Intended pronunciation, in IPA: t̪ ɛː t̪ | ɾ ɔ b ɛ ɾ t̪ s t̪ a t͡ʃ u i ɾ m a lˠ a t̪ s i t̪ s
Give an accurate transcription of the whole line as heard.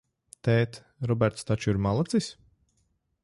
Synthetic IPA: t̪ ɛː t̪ | ɾ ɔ b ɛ ɾ t̪ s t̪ a t͡ʃ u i ɾ m a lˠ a t̪ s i s